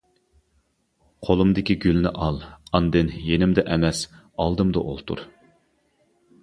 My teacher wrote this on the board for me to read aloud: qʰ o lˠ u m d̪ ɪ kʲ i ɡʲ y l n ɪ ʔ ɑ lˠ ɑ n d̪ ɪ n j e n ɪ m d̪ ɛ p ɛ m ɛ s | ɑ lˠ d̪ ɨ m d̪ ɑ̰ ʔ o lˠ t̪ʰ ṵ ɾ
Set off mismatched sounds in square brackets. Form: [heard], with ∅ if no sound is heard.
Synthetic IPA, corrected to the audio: qʰ o lˠ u m d̪ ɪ kʲ i ɡʲ y l n ɪ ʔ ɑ lˠ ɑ n d̪ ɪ n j e n ɪ m d̪ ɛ [ʔ] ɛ m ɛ s | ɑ lˠ d̪ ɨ m d̪ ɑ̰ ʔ o lˠ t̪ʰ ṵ ɾ